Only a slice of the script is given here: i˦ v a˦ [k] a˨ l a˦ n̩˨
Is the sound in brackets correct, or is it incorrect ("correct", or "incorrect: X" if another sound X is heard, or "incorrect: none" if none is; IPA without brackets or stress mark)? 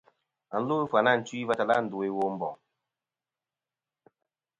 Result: incorrect: t